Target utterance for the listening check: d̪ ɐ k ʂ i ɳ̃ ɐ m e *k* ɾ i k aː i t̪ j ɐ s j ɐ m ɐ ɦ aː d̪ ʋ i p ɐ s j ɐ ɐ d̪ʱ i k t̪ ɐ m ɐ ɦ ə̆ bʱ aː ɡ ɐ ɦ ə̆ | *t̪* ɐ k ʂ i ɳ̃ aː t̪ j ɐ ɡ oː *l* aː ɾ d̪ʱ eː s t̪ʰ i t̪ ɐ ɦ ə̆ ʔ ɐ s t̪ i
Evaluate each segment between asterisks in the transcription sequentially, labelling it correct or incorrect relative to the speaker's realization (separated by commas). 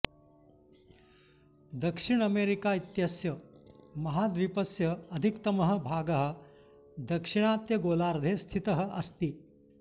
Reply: incorrect, incorrect, correct